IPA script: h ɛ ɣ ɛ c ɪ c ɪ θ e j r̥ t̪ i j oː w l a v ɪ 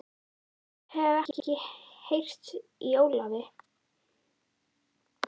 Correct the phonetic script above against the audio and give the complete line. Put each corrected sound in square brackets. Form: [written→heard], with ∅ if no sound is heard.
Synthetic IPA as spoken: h ɛ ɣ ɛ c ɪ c ɪ [θ→h] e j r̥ t̪ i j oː w l a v ɪ